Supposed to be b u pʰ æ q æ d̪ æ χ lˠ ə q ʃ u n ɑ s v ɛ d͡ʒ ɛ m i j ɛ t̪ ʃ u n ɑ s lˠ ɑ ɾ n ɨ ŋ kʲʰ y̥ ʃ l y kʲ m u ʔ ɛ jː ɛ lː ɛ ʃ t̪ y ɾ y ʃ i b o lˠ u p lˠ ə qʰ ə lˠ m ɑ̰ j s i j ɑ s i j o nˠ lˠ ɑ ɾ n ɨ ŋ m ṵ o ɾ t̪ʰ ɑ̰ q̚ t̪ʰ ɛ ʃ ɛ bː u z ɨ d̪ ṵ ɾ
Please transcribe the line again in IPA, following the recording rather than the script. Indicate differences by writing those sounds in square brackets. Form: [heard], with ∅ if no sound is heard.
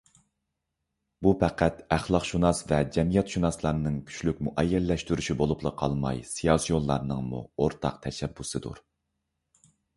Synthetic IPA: b u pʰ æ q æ [t̪] æ χ lˠ [ɑ] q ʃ u n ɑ s v ɛ d͡ʒ ɛ m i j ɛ t̪ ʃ u n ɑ s lˠ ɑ ɾ n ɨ ŋ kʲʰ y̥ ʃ l y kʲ m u ʔ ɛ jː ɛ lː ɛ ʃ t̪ y ɾ y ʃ i b o lˠ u p lˠ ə qʰ [ɑ] lˠ m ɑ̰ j s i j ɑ s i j o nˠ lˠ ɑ ɾ n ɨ ŋ m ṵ o ɾ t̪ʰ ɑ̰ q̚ t̪ʰ ɛ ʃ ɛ bː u [s] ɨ d̪ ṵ ɾ